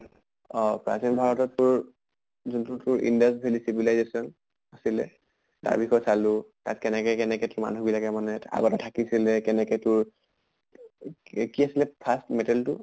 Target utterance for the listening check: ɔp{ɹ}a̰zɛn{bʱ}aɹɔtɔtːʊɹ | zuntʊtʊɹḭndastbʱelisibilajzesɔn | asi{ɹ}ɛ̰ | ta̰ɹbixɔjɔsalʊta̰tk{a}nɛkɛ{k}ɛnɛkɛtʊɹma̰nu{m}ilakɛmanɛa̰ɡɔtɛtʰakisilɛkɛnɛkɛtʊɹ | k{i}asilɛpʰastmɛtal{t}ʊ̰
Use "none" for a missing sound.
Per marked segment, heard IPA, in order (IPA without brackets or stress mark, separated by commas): ɹ, bʱ, l, ɛ, k, b, i, t